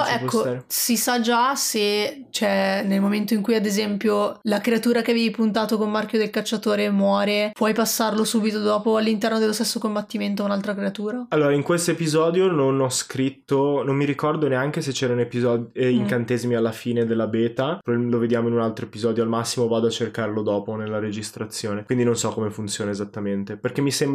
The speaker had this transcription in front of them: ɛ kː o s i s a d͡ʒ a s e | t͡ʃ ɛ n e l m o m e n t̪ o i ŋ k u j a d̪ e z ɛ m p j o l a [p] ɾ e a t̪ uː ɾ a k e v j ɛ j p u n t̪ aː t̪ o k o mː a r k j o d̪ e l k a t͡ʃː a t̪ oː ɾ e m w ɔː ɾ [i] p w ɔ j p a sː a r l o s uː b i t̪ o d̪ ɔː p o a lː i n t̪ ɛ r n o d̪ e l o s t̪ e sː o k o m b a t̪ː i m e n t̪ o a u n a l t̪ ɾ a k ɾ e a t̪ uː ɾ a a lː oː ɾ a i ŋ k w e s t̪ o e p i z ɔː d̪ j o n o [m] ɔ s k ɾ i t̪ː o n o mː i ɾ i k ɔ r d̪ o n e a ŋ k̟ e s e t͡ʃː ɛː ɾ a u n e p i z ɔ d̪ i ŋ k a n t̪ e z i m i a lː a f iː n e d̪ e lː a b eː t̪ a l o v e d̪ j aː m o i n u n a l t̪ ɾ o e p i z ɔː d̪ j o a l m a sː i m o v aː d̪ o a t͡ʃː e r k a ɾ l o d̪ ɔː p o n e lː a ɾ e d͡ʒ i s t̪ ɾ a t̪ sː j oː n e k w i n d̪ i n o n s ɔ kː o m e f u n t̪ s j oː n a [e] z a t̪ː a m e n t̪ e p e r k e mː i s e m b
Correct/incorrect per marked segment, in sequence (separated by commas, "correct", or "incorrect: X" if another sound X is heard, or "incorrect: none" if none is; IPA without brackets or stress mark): incorrect: k, incorrect: e, incorrect: n, correct